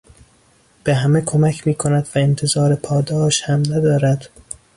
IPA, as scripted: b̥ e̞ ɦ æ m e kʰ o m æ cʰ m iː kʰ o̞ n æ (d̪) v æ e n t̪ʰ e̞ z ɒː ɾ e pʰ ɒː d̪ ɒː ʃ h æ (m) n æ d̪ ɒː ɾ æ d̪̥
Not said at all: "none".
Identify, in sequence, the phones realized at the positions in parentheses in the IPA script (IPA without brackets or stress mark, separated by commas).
d̪, m